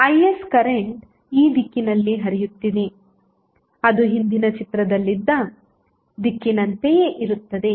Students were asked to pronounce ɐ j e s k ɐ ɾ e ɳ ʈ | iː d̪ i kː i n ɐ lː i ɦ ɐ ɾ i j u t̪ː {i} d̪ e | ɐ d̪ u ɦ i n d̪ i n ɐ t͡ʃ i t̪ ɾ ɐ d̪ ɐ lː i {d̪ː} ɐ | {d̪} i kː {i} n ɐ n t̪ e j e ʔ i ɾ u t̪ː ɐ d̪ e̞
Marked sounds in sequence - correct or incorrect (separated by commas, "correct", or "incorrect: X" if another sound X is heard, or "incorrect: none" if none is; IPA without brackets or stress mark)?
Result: correct, correct, correct, correct